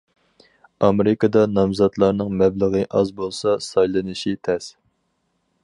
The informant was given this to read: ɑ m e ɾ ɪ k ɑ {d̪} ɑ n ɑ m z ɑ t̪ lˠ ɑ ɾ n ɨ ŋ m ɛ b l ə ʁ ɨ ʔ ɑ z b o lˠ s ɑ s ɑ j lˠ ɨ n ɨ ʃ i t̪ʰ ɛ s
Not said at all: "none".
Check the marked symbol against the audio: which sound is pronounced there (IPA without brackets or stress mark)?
d̪